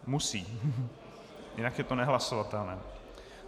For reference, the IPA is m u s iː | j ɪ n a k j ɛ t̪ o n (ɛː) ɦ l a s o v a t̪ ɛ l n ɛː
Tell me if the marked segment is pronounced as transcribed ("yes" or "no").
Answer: no